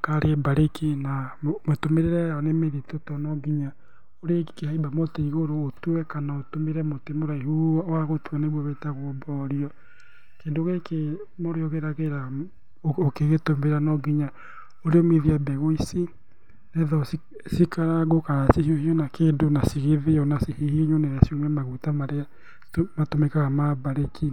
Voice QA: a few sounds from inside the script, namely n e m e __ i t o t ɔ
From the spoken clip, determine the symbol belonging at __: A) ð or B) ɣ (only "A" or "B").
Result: A